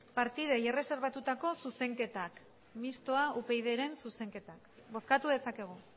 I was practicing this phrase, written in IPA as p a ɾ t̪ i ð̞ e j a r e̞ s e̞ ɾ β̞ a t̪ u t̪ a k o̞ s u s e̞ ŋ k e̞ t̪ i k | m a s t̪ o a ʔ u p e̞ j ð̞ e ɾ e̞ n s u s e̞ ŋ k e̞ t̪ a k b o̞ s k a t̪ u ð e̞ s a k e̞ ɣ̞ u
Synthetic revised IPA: p a ɾ t̪ i ð̞ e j e r e̞ s e̞ ɾ β̞ a t̪ u t̪ a k o̞ s u s e̞ ŋ k e̞ t̪ a k | m i s t̪ o a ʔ u p e̞ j ð̞ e ɾ e̞ n s u s e̞ ŋ k e̞ t̪ a k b o̞ s k a t̪ u ð e̞ s a k e̞ ɣ̞ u